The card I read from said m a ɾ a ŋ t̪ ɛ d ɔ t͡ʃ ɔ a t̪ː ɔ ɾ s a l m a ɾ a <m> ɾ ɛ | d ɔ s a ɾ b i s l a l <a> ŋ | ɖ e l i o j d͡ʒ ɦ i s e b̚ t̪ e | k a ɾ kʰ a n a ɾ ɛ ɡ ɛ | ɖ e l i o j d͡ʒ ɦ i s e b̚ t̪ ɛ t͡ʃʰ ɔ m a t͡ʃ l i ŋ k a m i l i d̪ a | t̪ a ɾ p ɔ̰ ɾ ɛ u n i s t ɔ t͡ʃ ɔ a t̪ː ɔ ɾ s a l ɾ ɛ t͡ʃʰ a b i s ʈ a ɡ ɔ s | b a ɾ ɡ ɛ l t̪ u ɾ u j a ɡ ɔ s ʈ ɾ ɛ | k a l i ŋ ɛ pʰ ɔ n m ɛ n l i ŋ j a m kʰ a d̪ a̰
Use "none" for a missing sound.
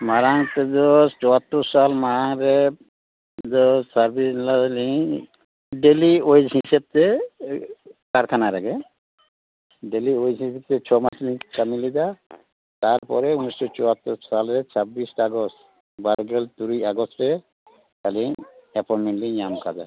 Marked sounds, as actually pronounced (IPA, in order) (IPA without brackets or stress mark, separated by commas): ŋ, i